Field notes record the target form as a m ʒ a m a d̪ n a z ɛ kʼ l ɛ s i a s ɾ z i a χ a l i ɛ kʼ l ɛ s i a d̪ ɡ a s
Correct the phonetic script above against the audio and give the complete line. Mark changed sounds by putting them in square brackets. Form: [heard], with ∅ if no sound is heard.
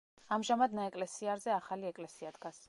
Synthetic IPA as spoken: a m ʒ a m a d̪ n a [∅] ɛ kʼ l ɛ s i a [∅] ɾ z [ɛ] a χ a l i ɛ kʼ l ɛ s i a d̪ ɡ a s